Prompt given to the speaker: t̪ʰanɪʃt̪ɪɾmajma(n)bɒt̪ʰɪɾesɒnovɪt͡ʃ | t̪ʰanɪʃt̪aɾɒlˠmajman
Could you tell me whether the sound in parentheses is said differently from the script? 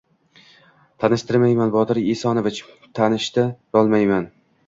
no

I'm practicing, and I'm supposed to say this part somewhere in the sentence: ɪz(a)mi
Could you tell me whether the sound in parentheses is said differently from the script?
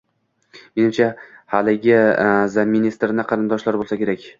no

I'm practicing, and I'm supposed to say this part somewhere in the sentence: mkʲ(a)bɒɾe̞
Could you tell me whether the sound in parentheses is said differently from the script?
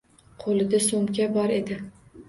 no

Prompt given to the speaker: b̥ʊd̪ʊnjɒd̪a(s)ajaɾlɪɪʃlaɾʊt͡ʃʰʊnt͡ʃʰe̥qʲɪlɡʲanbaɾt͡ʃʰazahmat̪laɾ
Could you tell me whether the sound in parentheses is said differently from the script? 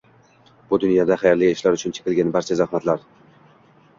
yes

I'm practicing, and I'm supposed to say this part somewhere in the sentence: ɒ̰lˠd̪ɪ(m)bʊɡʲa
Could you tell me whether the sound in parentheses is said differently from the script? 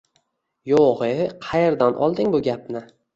yes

